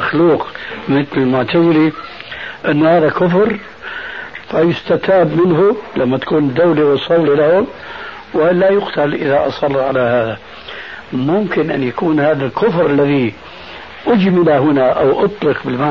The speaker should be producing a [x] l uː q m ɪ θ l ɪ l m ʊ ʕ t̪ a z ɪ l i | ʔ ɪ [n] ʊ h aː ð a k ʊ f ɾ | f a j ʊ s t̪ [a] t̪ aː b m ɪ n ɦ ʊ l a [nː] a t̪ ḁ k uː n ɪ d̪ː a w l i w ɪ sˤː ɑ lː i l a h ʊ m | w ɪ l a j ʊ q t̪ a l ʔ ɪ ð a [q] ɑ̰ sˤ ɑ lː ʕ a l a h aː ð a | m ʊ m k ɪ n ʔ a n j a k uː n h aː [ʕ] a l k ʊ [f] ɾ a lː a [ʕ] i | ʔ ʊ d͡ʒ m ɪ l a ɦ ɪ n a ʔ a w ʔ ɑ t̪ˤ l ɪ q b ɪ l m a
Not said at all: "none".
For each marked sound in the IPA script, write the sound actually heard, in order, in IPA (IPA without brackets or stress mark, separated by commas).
x, nː, a, mː, ʔ, ð, f, ð